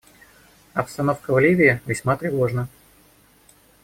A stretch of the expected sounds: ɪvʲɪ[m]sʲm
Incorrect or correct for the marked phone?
incorrect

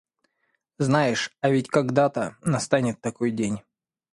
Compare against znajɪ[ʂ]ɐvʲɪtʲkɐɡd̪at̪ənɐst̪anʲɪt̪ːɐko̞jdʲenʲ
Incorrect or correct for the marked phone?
correct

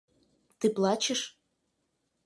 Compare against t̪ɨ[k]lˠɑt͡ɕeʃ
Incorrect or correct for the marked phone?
incorrect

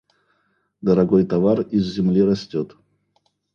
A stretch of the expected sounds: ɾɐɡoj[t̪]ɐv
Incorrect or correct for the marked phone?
correct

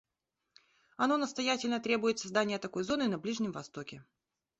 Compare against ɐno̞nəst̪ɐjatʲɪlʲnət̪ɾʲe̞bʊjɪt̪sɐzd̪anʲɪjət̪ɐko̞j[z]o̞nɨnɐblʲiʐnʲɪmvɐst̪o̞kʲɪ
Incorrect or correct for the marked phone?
correct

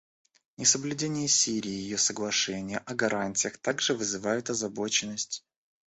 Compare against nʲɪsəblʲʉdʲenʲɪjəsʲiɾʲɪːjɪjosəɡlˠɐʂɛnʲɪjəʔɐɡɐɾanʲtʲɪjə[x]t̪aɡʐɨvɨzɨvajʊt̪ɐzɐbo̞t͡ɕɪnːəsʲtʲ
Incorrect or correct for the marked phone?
correct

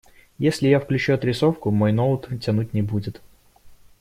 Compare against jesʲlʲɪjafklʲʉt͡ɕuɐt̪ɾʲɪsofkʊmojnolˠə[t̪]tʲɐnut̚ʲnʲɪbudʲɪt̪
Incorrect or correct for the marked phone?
correct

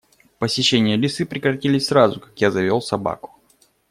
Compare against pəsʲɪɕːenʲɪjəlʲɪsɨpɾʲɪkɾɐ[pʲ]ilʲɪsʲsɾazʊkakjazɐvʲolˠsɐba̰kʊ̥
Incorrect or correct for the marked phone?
incorrect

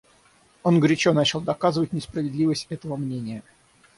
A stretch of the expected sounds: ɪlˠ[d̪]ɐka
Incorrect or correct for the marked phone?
correct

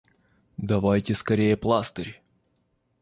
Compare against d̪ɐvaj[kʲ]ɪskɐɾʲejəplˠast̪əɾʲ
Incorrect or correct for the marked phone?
incorrect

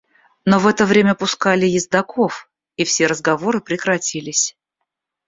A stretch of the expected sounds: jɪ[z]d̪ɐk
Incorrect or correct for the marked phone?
correct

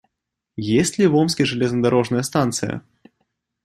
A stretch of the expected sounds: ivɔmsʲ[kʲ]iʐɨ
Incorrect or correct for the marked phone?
correct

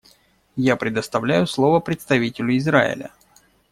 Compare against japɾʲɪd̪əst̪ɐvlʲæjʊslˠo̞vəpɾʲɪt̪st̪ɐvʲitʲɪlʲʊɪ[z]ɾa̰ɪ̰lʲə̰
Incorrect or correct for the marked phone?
correct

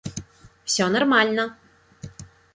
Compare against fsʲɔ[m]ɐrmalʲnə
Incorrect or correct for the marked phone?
incorrect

